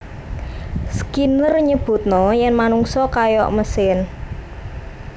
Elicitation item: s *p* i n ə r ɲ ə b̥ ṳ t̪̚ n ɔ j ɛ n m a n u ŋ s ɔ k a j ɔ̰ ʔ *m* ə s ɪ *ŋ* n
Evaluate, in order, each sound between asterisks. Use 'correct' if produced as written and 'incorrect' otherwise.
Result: incorrect, correct, incorrect

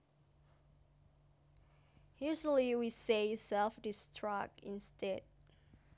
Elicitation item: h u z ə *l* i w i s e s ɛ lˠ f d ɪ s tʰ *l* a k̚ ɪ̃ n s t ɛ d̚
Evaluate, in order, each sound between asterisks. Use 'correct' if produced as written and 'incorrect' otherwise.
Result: correct, incorrect

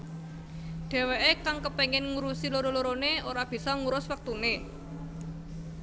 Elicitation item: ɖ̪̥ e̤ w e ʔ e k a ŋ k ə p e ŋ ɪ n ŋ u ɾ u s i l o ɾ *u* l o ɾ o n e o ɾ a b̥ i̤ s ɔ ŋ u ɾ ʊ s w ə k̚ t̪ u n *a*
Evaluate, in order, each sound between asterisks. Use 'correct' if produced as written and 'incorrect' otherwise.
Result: incorrect, incorrect

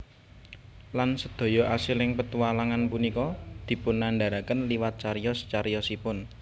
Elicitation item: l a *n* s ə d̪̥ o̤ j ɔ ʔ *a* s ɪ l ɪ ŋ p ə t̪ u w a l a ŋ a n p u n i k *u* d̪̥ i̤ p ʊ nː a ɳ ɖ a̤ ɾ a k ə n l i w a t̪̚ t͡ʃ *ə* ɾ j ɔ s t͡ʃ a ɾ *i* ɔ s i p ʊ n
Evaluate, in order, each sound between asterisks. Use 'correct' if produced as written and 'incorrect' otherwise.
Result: correct, correct, incorrect, incorrect, incorrect

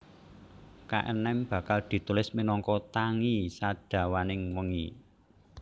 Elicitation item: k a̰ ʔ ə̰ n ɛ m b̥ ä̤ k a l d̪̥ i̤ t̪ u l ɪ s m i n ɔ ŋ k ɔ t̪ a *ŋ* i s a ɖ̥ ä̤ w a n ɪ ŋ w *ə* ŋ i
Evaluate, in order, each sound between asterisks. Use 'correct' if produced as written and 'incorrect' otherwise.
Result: correct, correct

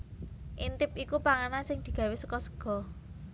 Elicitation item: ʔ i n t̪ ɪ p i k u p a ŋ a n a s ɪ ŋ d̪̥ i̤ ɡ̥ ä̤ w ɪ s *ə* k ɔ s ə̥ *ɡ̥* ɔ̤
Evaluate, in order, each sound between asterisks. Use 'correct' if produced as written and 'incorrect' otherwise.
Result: correct, correct

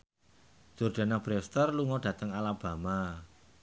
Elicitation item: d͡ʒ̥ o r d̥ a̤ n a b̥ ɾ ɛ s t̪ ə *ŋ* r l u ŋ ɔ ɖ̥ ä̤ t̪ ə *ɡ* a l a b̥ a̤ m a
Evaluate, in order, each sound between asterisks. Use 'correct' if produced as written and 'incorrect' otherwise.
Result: incorrect, incorrect

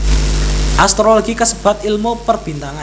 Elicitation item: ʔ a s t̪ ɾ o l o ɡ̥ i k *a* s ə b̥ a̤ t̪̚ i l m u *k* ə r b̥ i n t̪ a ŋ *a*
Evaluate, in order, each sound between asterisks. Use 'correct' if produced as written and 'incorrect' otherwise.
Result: incorrect, incorrect, correct

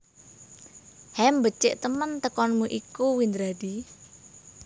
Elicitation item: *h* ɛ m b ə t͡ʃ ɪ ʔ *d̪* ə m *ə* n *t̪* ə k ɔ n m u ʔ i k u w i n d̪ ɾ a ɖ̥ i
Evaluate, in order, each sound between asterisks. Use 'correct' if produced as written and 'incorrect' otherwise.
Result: correct, incorrect, correct, correct

